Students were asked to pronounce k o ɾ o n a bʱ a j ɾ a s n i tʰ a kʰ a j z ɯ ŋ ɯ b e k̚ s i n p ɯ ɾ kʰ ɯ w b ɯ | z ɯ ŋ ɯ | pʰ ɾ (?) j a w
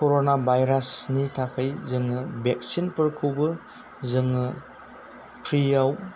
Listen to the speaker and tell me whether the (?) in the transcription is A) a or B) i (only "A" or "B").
B